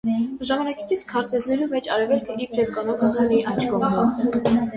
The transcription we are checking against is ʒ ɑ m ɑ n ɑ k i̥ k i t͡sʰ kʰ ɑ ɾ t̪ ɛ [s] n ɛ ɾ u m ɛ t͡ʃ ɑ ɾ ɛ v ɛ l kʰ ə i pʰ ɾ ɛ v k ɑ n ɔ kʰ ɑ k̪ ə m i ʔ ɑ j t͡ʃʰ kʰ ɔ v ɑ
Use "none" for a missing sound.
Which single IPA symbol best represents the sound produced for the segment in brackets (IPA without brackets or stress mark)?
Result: z